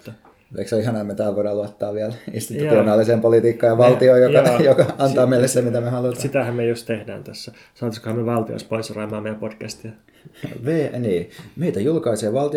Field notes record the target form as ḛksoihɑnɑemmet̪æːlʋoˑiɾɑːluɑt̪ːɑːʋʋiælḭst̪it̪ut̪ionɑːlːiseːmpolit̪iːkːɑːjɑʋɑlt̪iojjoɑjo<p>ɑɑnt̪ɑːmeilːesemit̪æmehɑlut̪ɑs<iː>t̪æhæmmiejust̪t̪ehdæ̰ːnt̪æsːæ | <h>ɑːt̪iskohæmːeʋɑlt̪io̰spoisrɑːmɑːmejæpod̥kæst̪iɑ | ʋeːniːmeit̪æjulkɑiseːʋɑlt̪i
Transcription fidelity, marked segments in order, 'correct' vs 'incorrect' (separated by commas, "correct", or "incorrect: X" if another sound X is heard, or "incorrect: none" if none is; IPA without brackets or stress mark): incorrect: k, incorrect: i, incorrect: s